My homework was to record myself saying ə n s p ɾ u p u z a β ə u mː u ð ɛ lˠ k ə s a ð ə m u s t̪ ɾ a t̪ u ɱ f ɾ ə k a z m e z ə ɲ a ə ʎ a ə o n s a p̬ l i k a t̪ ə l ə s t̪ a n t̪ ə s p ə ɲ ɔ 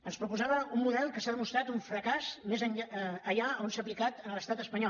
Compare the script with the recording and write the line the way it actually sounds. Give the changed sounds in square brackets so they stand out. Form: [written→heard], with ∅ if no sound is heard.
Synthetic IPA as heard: ə n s p ɾ u p u z a β ə u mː u ð ɛ lˠ k ə s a ð ə m u s t̪ ɾ a t̪ u ɱ f ɾ ə k a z m e z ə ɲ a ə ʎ a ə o n s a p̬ l i k a t̪ ə l ə s t̪ a [n→∅] t̪ ə s p ə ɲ ɔ